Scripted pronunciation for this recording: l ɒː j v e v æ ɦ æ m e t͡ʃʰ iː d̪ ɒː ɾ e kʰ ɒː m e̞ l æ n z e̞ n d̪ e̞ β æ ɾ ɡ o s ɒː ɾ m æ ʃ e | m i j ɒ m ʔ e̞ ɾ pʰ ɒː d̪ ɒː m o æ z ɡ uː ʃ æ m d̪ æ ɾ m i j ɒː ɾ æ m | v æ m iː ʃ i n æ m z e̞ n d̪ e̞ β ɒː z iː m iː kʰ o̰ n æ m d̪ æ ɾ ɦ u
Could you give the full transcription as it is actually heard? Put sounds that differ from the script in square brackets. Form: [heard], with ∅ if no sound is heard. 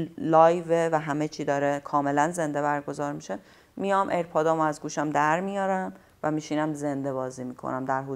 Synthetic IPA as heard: l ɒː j v e v æ ɦ æ m e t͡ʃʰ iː d̪ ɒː ɾ e kʰ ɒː m e̞ l æ n z e̞ n d̪ e̞ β æ ɾ ɡ o [z] ɒː ɾ m [i] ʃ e | m i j ɒ m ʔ e̞ ɾ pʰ ɒː d̪ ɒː m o æ z ɡ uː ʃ æ m d̪ æ ɾ m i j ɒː ɾ æ m | v æ m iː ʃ i n æ m z e̞ n d̪ e̞ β ɒː z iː m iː kʰ o̰ n æ m d̪ æ ɾ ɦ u